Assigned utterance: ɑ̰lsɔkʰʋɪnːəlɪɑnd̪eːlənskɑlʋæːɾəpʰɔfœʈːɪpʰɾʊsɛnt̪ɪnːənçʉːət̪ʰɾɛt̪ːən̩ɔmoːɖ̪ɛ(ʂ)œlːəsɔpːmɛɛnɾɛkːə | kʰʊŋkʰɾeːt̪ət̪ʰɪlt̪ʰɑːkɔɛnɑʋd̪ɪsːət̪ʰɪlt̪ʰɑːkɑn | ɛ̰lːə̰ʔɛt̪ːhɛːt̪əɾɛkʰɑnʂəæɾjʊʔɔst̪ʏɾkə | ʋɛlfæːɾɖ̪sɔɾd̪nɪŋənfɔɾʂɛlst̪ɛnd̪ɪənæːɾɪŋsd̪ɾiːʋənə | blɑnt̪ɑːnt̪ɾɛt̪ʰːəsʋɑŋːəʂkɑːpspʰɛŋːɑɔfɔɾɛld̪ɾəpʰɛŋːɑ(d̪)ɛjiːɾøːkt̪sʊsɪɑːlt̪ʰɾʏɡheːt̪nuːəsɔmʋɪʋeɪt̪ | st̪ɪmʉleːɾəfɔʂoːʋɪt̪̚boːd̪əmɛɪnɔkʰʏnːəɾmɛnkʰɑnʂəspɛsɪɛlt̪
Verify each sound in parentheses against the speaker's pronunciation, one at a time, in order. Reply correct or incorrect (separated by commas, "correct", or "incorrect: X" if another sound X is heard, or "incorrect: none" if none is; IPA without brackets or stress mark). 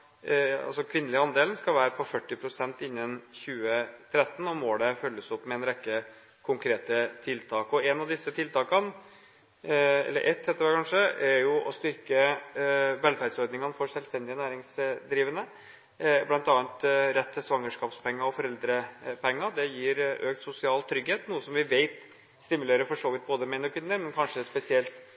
incorrect: f, correct